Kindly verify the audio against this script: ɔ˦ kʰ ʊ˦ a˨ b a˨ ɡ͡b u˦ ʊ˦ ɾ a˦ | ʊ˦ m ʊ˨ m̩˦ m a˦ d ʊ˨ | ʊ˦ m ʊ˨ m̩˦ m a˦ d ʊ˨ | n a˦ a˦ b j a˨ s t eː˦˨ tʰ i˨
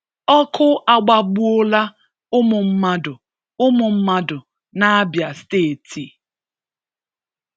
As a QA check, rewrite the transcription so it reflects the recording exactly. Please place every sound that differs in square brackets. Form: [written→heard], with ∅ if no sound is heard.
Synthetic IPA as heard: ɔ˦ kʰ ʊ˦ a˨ [b→ɡ͡b] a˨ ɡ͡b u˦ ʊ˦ [ɾ→l] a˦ | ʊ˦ m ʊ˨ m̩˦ m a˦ d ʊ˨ | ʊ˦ m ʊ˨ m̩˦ m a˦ d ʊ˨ | n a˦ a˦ b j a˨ s t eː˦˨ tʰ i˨